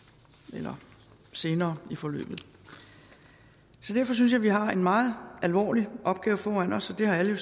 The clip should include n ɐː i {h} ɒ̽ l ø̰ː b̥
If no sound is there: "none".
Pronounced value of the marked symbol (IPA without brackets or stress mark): f